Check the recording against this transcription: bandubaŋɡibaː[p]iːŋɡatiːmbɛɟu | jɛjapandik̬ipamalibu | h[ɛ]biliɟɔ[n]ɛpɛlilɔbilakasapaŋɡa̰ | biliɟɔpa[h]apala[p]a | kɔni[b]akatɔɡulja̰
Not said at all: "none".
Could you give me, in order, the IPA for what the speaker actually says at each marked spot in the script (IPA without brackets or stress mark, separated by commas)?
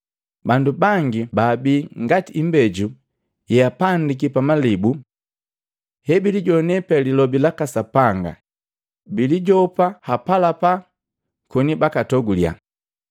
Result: b, ɛ, n, h, p, b